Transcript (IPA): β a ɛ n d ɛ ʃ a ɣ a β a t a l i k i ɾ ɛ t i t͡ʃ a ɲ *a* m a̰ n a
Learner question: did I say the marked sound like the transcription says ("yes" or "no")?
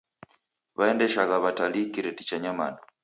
yes